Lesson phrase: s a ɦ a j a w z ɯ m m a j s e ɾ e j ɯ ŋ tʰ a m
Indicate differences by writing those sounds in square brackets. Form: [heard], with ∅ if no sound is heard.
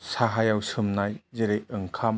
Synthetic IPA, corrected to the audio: s a ɦ a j a w [s] ɯ m [n] a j [z] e ɾ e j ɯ ŋ [kʰ] a m

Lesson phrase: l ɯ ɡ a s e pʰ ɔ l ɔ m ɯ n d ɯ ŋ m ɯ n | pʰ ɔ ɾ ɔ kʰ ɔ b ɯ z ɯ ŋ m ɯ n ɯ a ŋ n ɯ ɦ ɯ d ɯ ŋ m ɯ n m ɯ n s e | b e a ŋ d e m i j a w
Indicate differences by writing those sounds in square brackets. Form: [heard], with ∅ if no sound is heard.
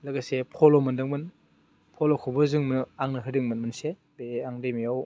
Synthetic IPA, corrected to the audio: l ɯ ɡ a s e pʰ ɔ l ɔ m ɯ n d ɯ ŋ m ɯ n | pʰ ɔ [l] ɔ kʰ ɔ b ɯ z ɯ ŋ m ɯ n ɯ a ŋ n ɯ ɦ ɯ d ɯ ŋ m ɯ n m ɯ n s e | b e a ŋ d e m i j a w

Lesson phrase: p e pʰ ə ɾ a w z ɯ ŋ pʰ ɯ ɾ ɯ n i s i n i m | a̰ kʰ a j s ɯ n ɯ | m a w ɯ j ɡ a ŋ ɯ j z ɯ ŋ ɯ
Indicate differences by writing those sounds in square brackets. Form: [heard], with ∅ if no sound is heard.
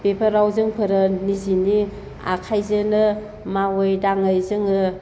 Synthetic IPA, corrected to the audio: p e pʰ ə ɾ a w z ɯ ŋ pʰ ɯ ɾ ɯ n i [z] i n i [∅] | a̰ kʰ a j [z] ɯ n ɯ | m a w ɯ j [d] a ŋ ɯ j z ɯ ŋ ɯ

